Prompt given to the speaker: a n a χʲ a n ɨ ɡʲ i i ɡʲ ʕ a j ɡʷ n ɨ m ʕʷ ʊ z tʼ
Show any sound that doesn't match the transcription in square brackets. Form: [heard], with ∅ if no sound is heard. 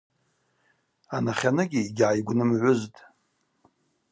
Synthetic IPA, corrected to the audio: a n a χʲ a n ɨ ɡʲ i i ɡʲ ʕ a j ɡʷ n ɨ m ʕʷ ʊ z tʼ